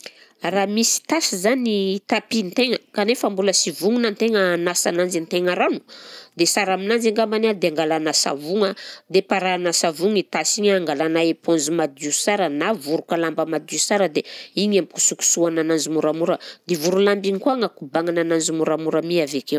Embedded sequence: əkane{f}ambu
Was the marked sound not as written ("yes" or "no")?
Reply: no